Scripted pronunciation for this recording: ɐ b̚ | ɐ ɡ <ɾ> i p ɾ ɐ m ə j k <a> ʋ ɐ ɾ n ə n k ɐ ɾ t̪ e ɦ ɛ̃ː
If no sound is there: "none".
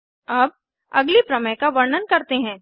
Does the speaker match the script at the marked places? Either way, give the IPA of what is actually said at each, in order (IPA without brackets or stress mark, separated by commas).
l, a